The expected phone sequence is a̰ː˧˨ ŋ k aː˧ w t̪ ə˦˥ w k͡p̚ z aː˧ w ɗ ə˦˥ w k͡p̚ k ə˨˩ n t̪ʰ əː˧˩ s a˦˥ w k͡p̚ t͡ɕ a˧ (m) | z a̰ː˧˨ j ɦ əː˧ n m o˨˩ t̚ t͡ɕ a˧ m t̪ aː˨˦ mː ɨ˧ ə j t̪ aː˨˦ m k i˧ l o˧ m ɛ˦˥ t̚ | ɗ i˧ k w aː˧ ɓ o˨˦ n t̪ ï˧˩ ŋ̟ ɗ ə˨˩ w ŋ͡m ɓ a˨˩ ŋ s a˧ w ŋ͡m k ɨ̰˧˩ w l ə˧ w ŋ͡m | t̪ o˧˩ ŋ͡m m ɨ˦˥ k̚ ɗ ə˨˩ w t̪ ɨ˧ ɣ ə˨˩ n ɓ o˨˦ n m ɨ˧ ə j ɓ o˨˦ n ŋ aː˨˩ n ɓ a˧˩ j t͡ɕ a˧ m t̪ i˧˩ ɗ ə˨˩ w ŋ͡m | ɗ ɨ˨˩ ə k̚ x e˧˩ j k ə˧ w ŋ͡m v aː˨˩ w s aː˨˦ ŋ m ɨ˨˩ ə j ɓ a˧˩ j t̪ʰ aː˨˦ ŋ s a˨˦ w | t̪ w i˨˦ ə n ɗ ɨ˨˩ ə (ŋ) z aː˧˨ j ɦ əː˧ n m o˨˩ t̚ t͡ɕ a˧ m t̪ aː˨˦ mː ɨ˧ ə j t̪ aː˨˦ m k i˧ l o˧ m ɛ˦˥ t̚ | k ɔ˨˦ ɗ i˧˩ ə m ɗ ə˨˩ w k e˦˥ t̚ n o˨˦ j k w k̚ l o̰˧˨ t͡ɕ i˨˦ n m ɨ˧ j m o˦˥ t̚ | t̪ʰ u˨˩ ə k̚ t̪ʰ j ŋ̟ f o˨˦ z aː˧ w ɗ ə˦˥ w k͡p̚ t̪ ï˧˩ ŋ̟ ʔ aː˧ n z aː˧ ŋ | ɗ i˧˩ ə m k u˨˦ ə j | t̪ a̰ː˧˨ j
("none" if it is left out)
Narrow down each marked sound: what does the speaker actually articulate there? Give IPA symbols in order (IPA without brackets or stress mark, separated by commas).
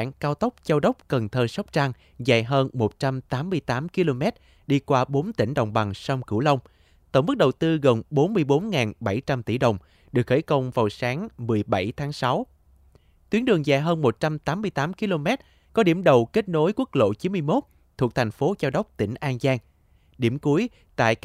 ŋ, ŋ